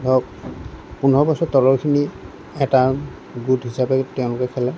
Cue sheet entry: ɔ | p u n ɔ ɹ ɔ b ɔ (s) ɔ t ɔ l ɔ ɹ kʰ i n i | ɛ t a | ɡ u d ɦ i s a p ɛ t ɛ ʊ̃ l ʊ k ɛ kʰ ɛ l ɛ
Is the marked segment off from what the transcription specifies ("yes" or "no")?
no